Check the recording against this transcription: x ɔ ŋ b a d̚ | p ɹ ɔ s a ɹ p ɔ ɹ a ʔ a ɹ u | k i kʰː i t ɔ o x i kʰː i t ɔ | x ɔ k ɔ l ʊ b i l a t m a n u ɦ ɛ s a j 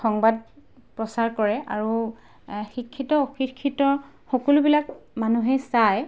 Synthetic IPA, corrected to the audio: x ɔ ŋ b a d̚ | p ɹ ɔ s a ɹ k ɔ ɹ ɛ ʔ a ɹ u | x i kʰː i t ɔ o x i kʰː i t ɔ | x ɔ k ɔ l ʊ b i l a k m a n u ɦ ɛ s a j